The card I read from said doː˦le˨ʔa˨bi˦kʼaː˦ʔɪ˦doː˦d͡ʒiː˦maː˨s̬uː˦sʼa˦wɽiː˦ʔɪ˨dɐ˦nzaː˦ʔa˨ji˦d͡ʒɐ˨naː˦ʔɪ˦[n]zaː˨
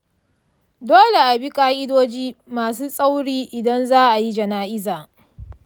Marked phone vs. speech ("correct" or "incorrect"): incorrect